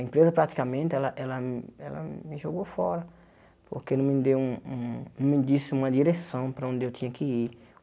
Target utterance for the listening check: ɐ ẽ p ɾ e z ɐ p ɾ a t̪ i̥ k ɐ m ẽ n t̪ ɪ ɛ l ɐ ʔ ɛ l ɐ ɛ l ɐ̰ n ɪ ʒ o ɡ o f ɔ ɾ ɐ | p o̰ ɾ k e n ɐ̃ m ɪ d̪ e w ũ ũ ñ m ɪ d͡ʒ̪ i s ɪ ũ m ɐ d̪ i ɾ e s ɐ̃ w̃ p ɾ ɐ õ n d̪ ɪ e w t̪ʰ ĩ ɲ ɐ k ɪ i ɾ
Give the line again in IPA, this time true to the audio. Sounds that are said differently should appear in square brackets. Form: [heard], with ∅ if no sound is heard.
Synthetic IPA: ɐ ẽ p ɾ e z ɐ p ɾ a t̪ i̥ k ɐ m ẽ n t̪ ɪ ɛ l ɐ ʔ ɛ l ɐ ɛ l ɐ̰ [m] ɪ ʒ o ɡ o f ɔ ɾ ɐ | p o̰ ɾ k e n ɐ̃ m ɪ d̪ e w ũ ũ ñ m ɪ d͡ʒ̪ i s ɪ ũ m ɐ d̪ i ɾ e s ɐ̃ w̃ p ɾ ɐ õ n d̪ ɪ e w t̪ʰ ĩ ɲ ɐ k ɪ i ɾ